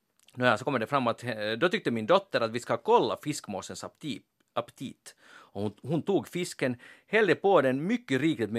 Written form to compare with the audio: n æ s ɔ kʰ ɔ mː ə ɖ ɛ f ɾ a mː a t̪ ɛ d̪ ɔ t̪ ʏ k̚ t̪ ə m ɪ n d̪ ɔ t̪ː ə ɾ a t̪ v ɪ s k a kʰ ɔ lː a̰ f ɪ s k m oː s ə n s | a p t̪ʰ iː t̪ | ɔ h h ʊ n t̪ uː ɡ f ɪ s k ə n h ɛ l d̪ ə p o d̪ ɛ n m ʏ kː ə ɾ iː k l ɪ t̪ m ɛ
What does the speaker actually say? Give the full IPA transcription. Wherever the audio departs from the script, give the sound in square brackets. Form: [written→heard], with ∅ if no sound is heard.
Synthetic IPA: n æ s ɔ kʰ ɔ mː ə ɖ ɛ f ɾ a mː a t̪ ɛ d̪ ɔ t̪ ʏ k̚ t̪ ə m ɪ n d̪ ɔ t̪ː ə ɾ a t̪ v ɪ s k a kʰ ɔ lː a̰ f ɪ s k m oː s ə n s | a p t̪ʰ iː t̪ | ɔ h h ʊ n t̪ uː ɡ f ɪ s k ə n h ɛ l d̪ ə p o d̪ ɛ n m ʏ kː ə ɾ iː k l ɪ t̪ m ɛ